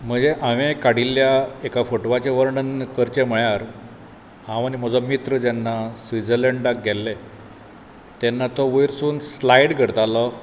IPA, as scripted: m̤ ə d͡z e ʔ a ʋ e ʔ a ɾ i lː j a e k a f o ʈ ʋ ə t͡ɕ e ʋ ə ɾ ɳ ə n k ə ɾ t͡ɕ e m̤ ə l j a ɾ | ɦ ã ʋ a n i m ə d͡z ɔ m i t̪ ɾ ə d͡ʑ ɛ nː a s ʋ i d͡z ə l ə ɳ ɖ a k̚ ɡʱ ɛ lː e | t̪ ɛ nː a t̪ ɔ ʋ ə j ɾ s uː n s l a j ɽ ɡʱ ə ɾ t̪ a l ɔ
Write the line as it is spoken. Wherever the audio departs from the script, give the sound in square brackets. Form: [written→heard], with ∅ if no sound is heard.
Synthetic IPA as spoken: m̤ ə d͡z e ʔ a ʋ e [ʔ→k] a [ɾ→ɽ] i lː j a e k a f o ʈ ʋ [ə→a] t͡ɕ e ʋ ə ɾ ɳ ə n k ə ɾ t͡ɕ e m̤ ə [l→ɭ] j a ɾ | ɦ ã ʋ a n i m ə d͡z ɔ m i t̪ ɾ ə d͡ʑ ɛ nː a s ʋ i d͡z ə l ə ɳ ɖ a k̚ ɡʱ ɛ lː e | t̪ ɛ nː a t̪ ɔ ʋ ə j ɾ s uː n s l a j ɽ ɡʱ ə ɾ t̪ a l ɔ